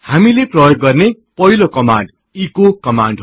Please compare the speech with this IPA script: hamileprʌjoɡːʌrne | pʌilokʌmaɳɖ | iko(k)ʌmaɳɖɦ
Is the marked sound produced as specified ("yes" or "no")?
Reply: yes